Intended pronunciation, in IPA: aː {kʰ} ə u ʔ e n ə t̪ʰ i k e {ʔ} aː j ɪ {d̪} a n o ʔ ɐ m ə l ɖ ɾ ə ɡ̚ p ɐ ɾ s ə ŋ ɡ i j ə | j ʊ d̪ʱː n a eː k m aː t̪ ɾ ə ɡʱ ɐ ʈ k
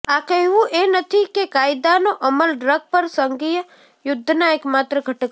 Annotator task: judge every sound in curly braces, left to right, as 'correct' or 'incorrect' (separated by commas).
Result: incorrect, incorrect, correct